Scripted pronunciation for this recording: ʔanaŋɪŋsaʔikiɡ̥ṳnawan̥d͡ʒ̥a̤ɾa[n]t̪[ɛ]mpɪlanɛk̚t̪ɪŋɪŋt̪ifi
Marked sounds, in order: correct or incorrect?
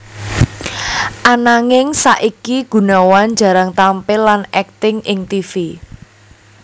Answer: incorrect: ŋ, incorrect: a

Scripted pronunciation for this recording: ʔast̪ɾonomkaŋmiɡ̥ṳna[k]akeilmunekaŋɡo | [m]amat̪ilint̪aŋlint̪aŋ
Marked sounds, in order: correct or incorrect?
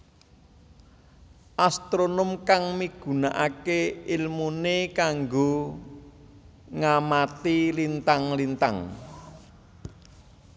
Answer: incorrect: ʔ, incorrect: ŋ

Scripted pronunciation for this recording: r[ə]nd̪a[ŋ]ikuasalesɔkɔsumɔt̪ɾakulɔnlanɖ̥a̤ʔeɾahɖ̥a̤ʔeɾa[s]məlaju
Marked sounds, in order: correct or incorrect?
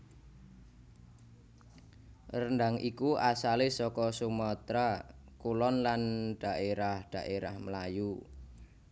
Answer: correct, correct, incorrect: h

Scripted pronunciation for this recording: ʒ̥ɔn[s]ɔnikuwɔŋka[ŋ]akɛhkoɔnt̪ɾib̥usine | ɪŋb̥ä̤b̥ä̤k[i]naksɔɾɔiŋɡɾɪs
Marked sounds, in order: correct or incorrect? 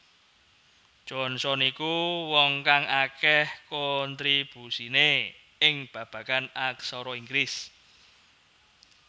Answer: correct, correct, incorrect: a

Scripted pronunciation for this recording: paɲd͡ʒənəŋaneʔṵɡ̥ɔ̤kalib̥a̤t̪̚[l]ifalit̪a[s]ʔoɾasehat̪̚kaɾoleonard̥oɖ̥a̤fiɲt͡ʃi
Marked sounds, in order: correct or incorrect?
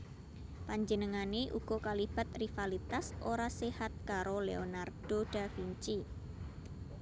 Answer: incorrect: r, correct

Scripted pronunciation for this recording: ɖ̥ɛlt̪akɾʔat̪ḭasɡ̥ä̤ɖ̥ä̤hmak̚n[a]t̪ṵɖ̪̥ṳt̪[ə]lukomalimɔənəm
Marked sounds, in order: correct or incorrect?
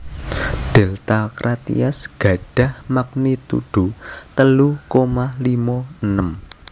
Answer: incorrect: i, correct

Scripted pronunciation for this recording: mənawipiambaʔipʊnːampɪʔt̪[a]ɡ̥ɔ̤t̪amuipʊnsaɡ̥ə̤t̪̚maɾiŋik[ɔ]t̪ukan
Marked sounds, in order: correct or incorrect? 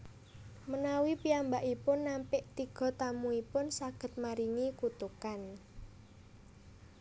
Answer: incorrect: i, incorrect: u

